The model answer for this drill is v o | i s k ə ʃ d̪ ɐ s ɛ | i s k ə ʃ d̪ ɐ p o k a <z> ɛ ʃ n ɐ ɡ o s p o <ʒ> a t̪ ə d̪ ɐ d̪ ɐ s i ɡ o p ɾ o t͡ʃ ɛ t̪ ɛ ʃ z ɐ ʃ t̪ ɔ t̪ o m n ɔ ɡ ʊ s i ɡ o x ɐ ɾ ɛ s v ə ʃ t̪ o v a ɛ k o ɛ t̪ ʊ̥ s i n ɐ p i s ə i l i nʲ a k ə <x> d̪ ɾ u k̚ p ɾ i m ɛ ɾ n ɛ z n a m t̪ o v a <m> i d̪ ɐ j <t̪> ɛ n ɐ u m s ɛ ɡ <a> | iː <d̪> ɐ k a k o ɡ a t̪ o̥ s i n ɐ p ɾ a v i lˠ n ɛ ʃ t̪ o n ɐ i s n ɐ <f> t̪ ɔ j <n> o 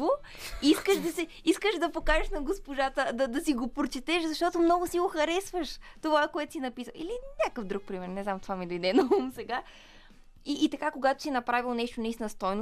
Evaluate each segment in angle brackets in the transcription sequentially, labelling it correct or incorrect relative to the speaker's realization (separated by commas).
incorrect, correct, incorrect, correct, incorrect, correct, incorrect, incorrect, correct